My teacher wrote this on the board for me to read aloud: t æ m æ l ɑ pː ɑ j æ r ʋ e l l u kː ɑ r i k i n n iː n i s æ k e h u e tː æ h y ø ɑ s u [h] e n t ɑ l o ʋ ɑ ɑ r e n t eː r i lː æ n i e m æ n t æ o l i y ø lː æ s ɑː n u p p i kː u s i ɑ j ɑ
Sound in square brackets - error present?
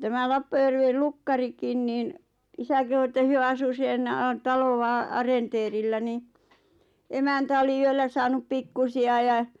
yes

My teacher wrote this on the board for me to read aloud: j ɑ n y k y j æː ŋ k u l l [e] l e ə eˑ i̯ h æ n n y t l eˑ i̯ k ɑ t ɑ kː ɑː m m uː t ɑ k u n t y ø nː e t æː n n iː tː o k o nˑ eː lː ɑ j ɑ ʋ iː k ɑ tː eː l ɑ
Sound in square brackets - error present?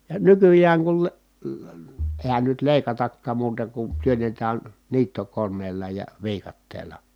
no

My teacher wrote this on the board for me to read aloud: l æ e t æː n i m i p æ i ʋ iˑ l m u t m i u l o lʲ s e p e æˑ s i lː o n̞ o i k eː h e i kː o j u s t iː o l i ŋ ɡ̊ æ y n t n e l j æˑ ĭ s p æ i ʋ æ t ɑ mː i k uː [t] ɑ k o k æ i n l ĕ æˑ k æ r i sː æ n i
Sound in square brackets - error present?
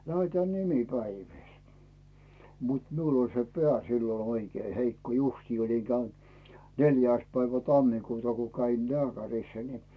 no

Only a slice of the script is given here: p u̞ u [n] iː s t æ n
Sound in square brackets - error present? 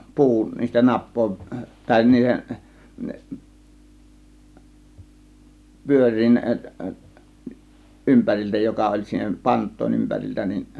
no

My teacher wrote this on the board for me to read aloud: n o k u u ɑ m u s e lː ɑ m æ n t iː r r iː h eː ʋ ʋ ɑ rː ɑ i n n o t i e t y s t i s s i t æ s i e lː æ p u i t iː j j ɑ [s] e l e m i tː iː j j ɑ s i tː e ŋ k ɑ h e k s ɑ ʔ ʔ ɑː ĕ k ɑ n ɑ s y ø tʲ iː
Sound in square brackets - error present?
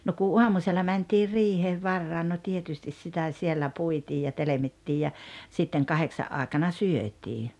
yes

